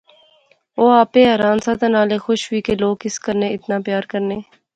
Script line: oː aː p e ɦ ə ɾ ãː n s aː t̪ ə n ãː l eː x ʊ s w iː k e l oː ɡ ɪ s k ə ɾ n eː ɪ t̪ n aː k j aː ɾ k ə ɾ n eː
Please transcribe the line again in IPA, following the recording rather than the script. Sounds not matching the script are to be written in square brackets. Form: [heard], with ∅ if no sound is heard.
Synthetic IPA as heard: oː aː p e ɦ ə ɾ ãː n s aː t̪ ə n [aː] l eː x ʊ [ʃ] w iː k e l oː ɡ ɪ s k ə ɾ n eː ɪ t̪ n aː [p] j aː ɾ k ə ɾ n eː